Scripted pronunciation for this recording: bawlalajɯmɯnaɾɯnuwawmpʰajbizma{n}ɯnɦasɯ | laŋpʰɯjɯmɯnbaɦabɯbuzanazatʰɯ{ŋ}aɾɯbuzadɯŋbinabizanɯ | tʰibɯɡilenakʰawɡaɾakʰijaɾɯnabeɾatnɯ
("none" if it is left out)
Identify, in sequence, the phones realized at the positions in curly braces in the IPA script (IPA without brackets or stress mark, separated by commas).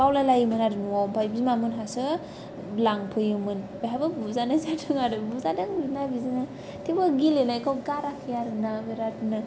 m, ŋ